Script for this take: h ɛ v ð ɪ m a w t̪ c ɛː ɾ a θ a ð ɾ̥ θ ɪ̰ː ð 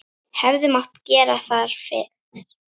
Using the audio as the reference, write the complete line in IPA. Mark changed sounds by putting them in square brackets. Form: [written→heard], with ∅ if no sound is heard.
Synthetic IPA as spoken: h ɛ v ð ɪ m a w t̪ c ɛː ɾ a θ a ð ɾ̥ [θ→f] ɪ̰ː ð